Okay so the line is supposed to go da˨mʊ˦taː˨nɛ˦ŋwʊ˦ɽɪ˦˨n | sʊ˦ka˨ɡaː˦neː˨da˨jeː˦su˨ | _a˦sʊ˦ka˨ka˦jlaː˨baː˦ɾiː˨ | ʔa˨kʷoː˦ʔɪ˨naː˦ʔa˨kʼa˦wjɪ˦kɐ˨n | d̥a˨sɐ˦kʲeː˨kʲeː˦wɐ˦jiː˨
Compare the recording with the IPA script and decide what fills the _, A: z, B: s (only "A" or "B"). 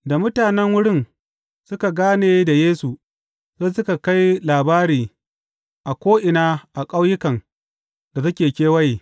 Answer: A